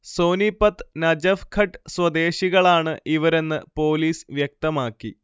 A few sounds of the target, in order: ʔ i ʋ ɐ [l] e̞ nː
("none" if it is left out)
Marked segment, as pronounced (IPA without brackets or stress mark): ɾ